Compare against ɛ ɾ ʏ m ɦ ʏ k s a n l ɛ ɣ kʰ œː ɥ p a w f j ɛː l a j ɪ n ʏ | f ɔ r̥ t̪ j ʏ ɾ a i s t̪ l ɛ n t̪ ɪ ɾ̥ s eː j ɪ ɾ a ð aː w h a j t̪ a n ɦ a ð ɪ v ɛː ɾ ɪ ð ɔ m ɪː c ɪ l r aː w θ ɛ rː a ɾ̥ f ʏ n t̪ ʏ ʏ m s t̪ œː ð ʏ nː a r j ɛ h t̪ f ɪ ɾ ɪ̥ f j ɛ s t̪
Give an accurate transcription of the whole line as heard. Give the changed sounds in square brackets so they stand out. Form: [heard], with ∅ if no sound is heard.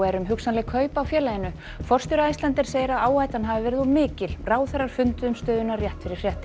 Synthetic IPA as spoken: ɛ ɾ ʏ m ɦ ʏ k s a n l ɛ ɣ kʰ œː ɥ p a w f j ɛː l a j ɪ n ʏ | f ɔ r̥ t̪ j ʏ ɾ a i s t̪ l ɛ n t̪ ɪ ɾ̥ s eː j ɪ ɾ a ð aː w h a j t̪ a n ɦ a [v] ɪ v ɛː ɾ ɪ ð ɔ m ɪː c ɪ l r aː w θ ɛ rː a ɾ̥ f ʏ n t̪ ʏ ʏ m s t̪ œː ð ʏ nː a r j ɛ h t̪ f ɪ ɾ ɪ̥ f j ɛ [h] t̪

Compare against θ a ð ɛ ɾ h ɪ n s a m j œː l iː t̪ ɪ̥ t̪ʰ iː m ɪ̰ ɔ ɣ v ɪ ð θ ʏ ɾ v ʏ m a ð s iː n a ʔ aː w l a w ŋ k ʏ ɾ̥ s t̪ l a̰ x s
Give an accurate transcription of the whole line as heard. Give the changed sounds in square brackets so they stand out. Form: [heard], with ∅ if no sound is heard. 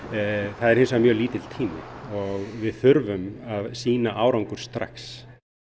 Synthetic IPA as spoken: θ a ð ɛ ɾ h ɪ n s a m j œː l iː t̪ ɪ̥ t̪ʰ iː m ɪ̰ ɔ ɣ v ɪ ð θ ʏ ɾ v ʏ m a ð s iː n a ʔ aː w [ɾ] a w ŋ k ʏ ɾ̥ s t̪ [ɾ] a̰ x s

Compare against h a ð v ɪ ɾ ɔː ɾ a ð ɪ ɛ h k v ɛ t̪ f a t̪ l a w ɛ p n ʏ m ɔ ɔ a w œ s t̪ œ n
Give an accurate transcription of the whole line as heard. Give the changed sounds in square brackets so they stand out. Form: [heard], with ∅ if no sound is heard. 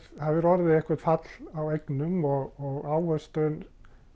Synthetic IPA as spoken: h a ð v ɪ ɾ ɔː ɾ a ð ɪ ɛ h k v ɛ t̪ f a t̪ l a w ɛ [k] n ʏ m ɔ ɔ a w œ s t̪ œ n

